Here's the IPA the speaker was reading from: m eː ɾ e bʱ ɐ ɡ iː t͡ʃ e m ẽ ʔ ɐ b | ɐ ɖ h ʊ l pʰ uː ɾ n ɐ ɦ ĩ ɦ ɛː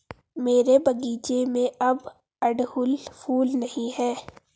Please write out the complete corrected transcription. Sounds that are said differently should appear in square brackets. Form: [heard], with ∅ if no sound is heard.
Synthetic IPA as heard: m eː ɾ e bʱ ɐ ɡ iː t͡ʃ e m ẽ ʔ ɐ b | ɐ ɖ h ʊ l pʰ uː [l] n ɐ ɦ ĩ ɦ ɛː